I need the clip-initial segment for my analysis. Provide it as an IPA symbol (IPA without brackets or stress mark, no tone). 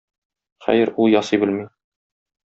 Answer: χ